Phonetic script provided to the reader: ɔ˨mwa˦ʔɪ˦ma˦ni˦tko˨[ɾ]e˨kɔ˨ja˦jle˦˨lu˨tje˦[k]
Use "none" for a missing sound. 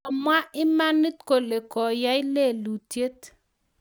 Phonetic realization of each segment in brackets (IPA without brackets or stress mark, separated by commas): l, t